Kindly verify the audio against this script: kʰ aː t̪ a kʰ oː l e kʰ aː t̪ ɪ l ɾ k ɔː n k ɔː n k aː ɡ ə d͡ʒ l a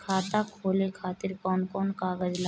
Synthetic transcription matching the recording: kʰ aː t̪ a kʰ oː l e kʰ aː t̪ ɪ ɾ k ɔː n k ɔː n k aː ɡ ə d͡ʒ l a